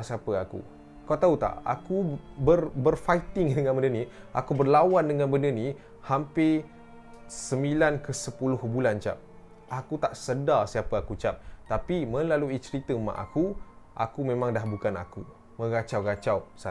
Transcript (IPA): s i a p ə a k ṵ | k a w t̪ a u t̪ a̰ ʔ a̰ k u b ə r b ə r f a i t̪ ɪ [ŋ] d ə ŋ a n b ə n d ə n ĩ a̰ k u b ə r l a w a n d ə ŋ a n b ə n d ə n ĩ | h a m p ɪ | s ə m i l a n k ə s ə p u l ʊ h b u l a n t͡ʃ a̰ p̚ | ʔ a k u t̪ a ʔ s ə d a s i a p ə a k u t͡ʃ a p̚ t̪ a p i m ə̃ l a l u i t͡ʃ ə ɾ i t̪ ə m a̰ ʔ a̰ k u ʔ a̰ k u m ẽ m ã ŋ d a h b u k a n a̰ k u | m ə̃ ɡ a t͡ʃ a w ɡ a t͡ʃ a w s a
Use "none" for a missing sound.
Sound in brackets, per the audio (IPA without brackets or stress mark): ŋ